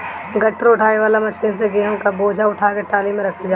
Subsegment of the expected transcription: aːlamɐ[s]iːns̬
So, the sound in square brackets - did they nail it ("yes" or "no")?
no